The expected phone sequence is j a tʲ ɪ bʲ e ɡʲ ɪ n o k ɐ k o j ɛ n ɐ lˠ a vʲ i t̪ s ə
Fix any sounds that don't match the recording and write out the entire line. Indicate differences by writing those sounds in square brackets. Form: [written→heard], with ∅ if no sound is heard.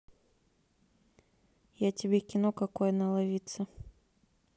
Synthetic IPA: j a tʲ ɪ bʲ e [ɡʲ→kʲ] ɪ n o k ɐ k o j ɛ n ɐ lˠ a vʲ i t̪ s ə